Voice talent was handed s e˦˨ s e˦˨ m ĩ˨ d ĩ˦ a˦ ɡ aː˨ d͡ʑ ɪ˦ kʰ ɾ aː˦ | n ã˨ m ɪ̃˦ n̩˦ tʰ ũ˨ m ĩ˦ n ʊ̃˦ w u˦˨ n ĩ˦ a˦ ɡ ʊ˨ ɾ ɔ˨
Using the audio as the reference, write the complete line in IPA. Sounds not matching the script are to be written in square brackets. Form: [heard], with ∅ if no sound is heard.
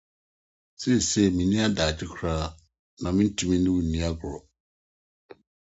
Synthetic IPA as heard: s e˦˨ s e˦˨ m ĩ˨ [n] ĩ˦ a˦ [d] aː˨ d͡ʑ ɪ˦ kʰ ɾ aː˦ | n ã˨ m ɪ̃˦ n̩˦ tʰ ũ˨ m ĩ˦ n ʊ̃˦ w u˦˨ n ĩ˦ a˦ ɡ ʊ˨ ɾ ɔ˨

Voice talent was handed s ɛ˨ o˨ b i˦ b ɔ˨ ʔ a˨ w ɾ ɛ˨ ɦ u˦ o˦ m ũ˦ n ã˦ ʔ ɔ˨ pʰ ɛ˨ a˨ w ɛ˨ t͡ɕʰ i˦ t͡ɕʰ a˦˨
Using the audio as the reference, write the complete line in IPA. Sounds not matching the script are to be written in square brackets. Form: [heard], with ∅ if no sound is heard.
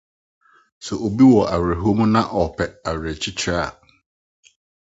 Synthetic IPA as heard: s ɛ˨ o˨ b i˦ [w] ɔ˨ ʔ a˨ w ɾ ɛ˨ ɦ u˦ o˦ m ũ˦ n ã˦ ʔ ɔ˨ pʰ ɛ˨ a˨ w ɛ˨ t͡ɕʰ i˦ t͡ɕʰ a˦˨

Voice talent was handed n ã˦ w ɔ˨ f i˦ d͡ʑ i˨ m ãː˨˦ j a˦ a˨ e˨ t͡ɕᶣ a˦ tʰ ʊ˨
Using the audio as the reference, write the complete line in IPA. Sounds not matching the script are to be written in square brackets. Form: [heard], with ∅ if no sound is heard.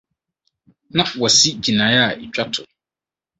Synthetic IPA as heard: n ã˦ w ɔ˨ [s] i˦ d͡ʑ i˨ [n] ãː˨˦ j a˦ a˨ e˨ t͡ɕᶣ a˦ tʰ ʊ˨

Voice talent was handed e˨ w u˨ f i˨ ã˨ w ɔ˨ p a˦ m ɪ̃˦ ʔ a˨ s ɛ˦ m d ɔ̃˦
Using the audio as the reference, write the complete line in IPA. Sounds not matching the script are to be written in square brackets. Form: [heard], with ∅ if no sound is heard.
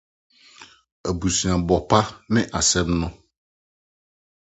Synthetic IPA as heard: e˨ [b] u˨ [s] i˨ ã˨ [b] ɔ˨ p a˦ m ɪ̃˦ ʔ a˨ s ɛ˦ m [n] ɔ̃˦

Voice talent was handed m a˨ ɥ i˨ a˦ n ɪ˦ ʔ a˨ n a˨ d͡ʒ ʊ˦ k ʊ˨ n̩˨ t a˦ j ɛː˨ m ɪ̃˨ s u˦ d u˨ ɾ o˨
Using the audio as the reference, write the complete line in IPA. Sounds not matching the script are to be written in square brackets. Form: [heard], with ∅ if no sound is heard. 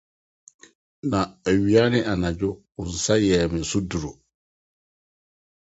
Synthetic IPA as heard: [n] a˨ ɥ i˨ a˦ n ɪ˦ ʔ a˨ n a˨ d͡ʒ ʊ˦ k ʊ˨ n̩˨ [s] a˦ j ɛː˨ m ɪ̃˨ s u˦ d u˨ ɾ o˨

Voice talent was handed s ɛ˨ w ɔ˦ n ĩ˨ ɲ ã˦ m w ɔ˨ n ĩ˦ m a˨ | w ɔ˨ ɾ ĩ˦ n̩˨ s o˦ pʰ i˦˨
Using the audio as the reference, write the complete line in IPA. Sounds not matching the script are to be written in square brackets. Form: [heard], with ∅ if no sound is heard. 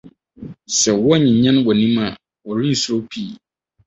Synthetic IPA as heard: s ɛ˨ w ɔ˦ [ɲ] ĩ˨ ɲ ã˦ [n] w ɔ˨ n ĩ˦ m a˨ | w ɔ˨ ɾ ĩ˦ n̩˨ s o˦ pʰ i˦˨

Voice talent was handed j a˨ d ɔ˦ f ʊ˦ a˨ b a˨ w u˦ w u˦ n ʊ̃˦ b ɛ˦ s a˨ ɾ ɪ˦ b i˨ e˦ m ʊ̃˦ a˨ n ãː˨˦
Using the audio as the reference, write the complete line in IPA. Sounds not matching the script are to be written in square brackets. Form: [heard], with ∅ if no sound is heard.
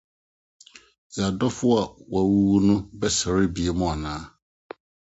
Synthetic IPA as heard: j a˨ d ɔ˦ f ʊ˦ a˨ [w] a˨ w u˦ w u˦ n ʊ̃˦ b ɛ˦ s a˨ ɾ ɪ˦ b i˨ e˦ m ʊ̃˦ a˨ n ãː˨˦

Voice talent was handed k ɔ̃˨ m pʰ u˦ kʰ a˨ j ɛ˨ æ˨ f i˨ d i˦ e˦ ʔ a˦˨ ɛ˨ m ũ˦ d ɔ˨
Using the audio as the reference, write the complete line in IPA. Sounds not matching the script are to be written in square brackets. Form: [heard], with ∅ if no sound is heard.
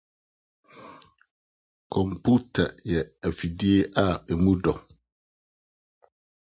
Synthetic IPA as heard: [kʰ] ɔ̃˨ m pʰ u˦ [tʰ] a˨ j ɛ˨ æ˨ f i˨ d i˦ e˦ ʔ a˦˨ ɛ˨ m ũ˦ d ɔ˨

